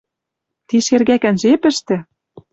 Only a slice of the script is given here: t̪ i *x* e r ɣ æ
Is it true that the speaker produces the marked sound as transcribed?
no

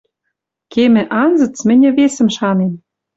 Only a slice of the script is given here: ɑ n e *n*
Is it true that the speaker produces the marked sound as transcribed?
no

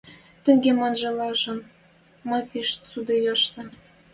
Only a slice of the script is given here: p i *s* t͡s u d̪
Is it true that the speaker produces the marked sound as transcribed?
no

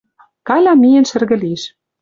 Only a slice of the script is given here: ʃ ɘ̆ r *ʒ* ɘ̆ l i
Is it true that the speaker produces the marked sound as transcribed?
no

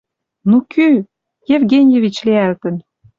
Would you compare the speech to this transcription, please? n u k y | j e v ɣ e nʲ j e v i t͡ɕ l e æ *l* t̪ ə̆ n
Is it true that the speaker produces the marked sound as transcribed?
yes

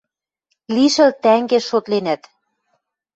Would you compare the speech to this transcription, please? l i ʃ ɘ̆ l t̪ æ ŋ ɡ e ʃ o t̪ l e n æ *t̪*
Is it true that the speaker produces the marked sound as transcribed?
yes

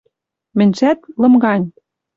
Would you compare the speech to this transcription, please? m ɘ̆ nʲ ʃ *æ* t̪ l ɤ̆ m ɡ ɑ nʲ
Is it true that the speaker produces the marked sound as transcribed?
yes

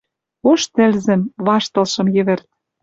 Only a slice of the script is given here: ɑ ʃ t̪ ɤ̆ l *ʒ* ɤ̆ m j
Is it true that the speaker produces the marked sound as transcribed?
no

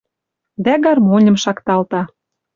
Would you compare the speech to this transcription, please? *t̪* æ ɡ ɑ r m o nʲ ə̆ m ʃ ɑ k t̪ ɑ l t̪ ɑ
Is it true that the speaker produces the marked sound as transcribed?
no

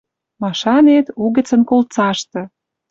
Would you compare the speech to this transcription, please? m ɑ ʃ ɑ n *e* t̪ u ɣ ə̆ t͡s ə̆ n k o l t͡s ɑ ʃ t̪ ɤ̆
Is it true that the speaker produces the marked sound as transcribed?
yes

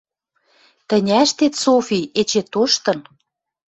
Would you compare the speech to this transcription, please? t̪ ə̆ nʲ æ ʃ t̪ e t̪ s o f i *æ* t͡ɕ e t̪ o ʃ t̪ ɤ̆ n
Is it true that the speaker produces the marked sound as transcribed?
no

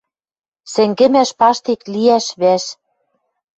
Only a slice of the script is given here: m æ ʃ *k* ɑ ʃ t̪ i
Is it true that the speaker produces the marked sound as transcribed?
no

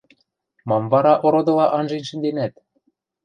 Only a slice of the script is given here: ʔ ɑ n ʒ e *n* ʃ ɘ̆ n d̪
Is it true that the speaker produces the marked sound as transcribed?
yes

